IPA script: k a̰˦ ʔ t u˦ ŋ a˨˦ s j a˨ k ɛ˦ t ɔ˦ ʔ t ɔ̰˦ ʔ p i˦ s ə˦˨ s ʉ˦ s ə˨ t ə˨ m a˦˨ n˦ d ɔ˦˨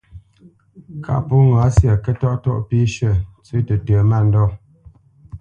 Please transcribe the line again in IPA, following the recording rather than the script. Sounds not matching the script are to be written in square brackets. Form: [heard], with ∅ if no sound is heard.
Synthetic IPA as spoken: k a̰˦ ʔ [p] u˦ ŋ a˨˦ s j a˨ k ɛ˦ t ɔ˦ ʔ t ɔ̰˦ ʔ p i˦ [ʃ] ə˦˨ [t͡s] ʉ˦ [t] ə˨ t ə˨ m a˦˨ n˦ d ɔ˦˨